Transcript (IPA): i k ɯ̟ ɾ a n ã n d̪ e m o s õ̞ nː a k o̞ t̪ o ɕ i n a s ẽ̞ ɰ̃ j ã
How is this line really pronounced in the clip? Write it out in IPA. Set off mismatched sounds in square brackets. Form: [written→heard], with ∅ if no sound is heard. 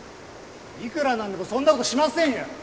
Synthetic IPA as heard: i k ɯ̟ ɾ a n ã n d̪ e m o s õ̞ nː a k o̞ t̪ o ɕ i [n→m] a s ẽ̞ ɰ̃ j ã